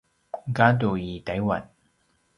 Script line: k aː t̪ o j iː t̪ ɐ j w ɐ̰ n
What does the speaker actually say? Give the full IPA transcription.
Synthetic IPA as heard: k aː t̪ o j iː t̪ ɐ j w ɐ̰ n